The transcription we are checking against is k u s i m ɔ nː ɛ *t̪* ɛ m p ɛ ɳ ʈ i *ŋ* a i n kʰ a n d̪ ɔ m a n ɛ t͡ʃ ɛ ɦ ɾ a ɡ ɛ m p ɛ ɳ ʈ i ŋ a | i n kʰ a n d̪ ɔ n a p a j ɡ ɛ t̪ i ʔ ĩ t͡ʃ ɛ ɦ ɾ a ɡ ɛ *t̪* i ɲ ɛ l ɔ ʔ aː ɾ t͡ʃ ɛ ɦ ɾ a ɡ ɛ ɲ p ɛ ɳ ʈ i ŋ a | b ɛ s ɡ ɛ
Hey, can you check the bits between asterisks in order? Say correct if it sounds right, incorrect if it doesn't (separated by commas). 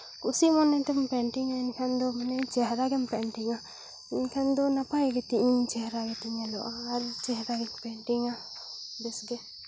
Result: correct, correct, correct